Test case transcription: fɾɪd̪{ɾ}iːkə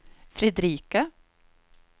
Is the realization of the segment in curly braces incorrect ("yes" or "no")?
no